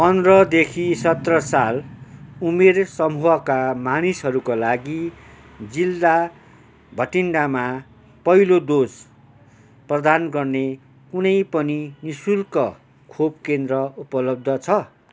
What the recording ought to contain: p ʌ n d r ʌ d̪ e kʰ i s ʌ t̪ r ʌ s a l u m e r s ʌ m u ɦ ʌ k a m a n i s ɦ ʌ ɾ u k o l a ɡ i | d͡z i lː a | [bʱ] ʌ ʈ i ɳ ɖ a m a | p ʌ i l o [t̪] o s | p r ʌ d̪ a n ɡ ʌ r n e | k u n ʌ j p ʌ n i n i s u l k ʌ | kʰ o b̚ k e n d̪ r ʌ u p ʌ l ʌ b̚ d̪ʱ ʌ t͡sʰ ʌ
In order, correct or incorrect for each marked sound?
correct, incorrect

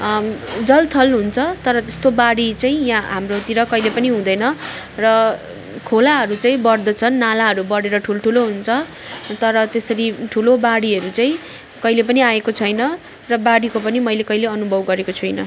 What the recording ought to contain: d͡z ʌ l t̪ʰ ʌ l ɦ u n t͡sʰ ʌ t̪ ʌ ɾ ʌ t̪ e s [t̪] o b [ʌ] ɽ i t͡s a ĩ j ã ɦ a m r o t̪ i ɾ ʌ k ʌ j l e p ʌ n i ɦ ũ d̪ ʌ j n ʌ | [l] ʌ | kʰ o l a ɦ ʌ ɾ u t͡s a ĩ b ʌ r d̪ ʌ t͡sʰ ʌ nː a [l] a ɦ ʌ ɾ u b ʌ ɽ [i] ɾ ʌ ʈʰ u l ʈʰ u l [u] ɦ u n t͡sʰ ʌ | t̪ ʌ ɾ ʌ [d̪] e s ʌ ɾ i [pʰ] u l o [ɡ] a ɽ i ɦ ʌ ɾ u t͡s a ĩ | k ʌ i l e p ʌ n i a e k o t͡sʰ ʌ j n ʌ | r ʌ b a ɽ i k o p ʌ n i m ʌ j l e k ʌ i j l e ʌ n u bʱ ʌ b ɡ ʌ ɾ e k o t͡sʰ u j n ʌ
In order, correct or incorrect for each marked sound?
correct, incorrect, incorrect, correct, incorrect, incorrect, incorrect, incorrect, incorrect

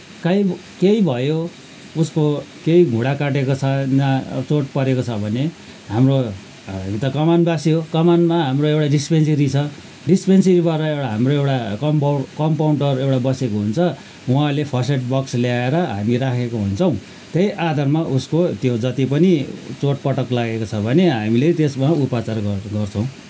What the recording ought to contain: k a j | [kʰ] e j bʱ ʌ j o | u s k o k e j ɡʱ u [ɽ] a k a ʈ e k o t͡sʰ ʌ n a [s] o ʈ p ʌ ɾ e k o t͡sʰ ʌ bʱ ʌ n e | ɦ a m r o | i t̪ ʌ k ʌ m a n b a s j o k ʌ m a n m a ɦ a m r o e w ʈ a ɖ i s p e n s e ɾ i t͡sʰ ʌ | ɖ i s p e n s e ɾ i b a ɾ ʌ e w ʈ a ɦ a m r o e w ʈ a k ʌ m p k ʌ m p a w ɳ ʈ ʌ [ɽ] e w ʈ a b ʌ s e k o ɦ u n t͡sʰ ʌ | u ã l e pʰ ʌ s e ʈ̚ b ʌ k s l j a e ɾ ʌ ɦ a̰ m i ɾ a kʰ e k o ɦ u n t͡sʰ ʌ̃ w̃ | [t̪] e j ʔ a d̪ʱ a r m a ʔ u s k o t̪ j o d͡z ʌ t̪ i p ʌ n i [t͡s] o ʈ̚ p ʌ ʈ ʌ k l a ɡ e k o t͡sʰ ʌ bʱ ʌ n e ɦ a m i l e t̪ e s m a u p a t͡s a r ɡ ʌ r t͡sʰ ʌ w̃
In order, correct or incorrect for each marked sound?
incorrect, correct, incorrect, incorrect, correct, correct

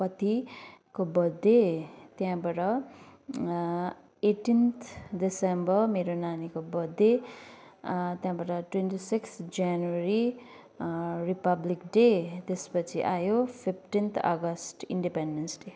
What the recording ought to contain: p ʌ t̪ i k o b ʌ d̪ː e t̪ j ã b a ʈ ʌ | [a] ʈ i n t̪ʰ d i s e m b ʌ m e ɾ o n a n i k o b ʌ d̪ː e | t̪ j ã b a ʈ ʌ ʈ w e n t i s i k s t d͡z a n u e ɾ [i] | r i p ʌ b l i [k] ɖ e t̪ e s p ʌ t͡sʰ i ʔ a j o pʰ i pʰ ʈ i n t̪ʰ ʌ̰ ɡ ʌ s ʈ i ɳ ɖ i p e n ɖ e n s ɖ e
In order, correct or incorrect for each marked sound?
incorrect, correct, correct

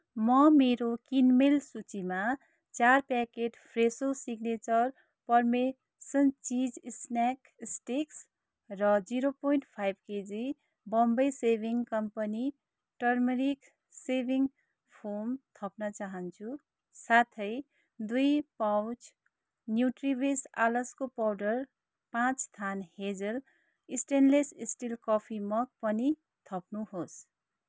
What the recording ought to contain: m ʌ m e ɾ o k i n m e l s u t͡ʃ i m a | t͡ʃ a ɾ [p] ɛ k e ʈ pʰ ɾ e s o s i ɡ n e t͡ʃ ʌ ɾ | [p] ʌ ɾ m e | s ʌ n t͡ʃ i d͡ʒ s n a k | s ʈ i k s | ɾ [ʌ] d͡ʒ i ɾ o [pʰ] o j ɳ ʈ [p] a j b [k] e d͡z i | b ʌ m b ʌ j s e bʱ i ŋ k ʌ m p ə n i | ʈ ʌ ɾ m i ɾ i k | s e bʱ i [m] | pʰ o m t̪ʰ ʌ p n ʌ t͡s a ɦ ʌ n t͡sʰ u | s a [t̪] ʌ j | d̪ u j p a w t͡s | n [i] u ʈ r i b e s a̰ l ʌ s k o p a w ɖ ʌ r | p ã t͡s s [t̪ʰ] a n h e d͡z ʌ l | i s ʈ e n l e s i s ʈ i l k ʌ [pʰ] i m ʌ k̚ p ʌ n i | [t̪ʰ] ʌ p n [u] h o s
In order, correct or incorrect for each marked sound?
correct, correct, correct, incorrect, incorrect, correct, incorrect, incorrect, incorrect, correct, correct, correct, correct

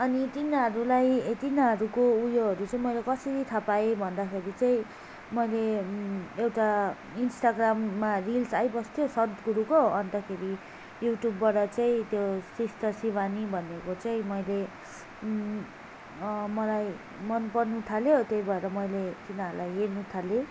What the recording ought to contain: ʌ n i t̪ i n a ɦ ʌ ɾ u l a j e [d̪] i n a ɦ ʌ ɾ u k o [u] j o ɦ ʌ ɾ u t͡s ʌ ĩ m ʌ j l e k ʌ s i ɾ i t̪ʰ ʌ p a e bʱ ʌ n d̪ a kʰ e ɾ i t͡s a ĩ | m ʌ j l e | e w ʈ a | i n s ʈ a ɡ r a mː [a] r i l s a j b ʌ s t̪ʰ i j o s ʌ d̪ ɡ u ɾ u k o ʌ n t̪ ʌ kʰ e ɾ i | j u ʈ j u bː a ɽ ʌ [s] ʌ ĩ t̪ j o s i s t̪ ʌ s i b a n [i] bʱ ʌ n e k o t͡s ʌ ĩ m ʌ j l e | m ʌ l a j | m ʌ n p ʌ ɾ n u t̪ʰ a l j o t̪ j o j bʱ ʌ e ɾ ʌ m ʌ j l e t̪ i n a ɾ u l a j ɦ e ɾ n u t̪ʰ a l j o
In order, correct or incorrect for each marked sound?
incorrect, correct, correct, incorrect, correct

